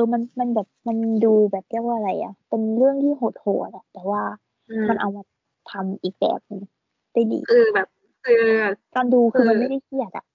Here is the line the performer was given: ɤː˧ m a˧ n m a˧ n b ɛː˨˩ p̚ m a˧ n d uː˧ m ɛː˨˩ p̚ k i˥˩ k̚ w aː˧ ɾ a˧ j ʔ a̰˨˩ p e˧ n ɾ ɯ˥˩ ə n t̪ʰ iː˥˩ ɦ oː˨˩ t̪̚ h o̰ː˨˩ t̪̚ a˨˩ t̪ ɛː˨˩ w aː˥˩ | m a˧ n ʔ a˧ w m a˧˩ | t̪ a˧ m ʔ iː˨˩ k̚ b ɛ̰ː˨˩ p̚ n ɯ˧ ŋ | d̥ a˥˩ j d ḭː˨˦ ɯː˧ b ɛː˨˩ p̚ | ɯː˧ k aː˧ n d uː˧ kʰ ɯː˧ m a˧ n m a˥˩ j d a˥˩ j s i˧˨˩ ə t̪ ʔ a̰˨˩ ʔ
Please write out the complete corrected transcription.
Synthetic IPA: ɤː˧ m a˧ n m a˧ n b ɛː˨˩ p̚ m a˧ n d uː˧ b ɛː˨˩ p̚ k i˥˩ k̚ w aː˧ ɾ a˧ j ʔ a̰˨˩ p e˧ n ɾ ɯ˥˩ ə ŋ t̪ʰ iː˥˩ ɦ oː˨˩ t̪̚ h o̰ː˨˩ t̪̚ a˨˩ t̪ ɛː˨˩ w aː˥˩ | m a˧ n ʔ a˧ w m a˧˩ | t̪ʰ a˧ m ʔ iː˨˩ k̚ b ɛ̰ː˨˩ p̚ n ɯ˧ ŋ | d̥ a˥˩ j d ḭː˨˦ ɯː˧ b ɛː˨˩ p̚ | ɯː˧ k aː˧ n d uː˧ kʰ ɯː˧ m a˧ n m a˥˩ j d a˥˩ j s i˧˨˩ ə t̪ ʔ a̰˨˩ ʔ